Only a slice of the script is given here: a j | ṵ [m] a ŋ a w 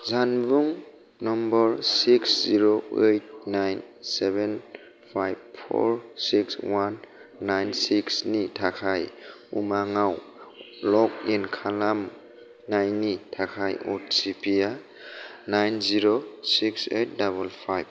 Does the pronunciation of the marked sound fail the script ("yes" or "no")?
no